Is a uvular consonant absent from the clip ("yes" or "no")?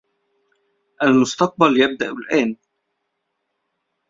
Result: no